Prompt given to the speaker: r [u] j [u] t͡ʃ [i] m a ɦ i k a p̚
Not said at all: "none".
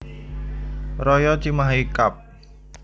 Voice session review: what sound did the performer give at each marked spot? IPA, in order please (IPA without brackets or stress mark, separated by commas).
ɔ, ɔ, i